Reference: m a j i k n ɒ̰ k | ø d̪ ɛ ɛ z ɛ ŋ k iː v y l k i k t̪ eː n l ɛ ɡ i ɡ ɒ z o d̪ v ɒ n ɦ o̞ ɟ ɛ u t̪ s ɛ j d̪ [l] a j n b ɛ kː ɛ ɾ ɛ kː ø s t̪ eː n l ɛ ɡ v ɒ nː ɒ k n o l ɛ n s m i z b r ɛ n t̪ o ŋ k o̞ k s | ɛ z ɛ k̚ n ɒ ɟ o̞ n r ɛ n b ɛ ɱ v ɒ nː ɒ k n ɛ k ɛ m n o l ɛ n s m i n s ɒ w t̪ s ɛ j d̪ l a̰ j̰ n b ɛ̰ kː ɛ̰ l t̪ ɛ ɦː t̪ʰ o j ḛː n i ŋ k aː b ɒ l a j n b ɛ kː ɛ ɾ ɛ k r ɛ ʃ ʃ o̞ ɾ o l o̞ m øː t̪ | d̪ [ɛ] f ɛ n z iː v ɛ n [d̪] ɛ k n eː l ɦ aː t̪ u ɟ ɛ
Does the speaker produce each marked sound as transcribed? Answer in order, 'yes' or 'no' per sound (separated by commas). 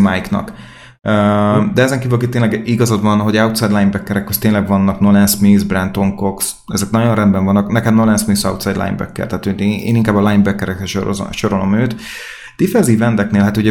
yes, no, yes